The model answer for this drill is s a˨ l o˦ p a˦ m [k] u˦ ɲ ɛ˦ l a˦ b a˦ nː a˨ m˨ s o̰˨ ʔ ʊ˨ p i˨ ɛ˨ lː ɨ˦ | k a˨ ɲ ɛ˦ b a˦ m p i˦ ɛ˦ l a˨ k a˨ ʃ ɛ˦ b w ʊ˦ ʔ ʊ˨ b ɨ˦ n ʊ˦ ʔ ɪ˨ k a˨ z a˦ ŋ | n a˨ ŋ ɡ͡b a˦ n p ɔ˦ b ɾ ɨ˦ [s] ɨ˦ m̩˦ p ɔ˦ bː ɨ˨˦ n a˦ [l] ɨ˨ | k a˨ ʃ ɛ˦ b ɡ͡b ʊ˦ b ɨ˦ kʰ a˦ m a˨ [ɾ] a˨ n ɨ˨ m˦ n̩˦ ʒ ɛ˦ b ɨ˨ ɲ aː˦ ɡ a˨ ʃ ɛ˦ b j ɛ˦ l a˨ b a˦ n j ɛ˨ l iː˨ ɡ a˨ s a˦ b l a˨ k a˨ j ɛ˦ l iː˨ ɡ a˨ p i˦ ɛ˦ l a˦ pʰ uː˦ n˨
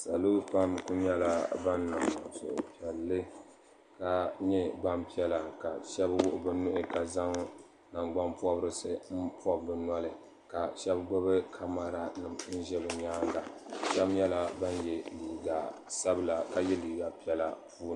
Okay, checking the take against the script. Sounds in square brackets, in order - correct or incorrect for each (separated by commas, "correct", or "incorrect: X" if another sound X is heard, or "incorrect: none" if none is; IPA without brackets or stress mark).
correct, correct, correct, correct